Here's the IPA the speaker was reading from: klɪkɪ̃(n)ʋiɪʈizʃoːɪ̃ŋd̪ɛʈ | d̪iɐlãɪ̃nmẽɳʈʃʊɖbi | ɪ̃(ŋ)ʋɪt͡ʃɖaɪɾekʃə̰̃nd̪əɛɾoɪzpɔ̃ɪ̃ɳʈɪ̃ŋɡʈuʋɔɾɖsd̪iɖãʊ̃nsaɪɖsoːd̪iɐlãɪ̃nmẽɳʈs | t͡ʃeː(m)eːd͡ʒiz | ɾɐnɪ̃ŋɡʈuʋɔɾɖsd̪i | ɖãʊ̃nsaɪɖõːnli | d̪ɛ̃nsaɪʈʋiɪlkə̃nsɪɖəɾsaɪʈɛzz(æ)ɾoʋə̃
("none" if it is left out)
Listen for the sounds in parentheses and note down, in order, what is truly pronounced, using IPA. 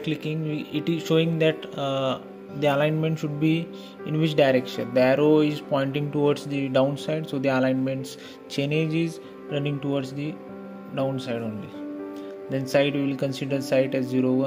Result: ŋ, n, n, i

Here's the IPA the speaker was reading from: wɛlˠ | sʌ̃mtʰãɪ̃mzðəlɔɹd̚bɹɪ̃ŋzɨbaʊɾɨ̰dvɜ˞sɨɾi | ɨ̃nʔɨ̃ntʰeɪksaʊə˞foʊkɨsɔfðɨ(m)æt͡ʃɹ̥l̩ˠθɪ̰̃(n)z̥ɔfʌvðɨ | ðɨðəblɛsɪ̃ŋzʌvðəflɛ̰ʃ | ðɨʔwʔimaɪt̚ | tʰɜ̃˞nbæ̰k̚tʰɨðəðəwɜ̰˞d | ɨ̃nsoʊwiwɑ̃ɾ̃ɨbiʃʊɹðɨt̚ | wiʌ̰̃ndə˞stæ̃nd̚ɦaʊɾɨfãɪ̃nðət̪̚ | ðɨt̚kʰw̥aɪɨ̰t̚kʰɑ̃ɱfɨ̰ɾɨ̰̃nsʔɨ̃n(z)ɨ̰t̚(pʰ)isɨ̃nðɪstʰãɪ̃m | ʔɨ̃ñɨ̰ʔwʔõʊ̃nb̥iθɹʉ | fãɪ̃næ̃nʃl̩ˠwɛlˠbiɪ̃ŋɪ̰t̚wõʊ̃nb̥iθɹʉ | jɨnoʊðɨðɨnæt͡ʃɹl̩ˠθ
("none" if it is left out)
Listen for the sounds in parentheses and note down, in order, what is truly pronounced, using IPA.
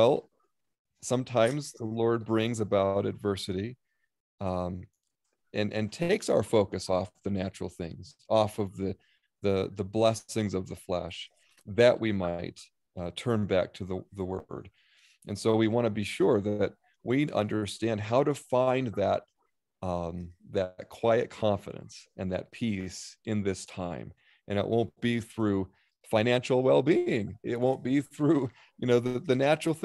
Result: n, ŋ, ð, pʰ

